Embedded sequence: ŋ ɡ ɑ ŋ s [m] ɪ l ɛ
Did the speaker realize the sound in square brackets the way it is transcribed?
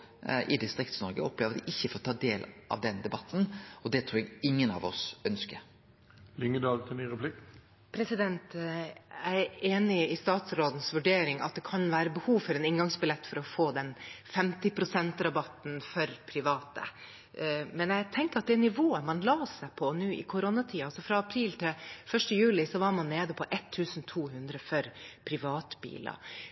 no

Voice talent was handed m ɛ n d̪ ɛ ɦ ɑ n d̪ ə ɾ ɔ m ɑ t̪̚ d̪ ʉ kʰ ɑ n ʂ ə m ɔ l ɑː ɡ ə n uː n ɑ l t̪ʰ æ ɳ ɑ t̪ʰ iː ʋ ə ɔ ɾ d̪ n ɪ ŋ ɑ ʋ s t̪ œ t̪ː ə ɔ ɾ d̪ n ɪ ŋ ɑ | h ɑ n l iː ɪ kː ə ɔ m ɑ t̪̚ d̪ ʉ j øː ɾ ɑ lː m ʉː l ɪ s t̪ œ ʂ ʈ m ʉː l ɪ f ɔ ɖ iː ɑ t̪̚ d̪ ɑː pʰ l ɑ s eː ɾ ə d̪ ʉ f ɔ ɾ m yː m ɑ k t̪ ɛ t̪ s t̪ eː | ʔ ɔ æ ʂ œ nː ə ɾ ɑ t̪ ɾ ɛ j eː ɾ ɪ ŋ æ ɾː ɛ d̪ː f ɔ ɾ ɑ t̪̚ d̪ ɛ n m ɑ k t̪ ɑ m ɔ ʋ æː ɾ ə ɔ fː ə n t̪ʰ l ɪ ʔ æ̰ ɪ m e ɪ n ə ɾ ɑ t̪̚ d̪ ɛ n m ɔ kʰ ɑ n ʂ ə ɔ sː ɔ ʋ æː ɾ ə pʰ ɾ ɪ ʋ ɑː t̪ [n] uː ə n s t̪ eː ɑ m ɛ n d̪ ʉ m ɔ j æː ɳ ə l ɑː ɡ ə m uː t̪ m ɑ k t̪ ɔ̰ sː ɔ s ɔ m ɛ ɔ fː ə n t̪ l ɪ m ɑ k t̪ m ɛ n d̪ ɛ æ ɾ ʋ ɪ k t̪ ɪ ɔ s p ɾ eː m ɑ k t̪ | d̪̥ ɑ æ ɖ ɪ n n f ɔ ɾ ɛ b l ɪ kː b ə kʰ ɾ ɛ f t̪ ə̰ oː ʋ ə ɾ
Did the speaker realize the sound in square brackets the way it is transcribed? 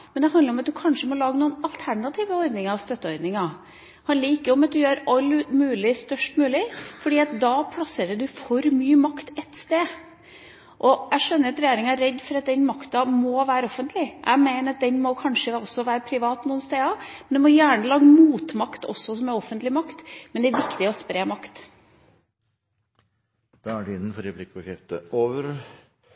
yes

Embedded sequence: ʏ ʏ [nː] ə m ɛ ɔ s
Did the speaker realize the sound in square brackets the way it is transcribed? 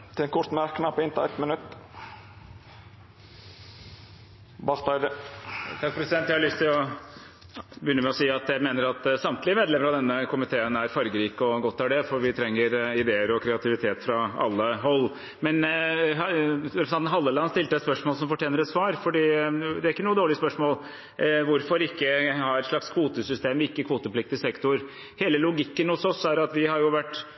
yes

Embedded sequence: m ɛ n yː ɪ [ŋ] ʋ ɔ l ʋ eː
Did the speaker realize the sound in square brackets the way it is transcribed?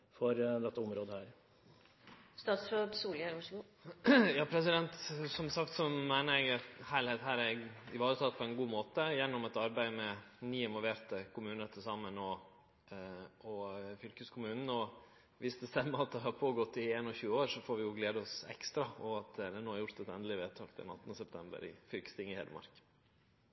no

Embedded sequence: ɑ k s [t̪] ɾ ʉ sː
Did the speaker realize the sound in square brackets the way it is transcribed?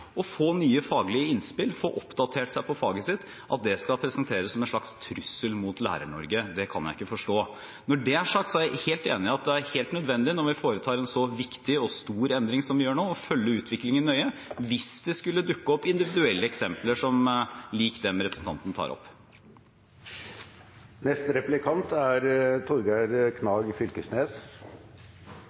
no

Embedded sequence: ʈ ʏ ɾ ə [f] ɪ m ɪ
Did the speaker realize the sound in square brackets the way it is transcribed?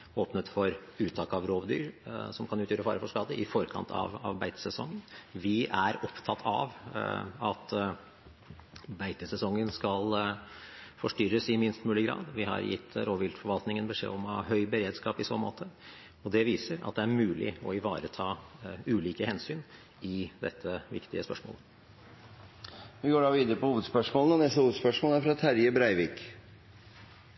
no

